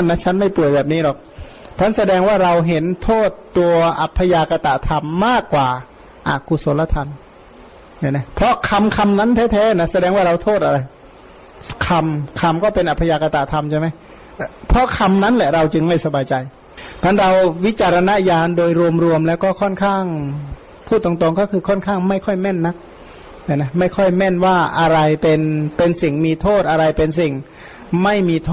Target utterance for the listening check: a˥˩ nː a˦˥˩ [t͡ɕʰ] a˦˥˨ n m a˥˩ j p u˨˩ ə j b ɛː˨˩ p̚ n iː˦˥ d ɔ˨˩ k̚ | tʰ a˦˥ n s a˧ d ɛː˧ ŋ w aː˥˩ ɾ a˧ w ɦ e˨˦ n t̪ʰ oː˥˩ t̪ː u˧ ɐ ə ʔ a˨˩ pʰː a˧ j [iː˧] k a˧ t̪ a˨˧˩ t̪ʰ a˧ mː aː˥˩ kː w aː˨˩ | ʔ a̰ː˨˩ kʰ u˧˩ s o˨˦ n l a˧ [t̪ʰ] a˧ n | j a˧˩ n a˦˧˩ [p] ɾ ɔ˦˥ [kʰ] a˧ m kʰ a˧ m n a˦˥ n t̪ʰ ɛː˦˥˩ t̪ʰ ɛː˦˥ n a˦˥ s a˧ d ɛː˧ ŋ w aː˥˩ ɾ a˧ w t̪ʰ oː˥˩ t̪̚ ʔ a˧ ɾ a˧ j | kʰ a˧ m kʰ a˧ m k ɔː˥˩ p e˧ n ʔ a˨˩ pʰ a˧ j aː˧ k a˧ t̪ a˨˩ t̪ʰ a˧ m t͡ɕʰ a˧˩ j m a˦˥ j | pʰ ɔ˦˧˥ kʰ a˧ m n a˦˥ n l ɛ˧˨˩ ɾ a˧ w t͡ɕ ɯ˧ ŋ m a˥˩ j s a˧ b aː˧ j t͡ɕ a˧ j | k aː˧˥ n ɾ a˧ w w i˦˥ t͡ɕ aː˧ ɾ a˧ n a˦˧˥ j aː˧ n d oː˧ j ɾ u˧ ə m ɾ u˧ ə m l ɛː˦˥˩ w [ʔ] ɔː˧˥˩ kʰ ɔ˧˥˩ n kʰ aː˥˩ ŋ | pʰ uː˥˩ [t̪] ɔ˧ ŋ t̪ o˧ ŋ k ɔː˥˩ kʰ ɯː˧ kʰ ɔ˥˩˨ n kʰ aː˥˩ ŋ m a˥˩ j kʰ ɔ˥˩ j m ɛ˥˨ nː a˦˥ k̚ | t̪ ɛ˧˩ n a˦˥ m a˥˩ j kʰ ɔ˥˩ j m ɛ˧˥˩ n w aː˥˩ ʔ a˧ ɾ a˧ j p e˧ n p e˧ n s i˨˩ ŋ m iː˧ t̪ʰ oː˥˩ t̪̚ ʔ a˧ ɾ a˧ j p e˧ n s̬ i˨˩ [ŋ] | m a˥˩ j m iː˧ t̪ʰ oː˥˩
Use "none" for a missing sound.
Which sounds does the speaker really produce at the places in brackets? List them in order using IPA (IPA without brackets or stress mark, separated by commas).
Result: t͡ɕʰ, aː˧, t̪ʰ, pʰ, kʰ, k, t̪, ŋ